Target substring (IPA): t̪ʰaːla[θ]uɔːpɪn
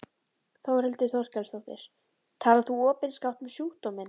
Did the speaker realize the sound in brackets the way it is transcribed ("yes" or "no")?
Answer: yes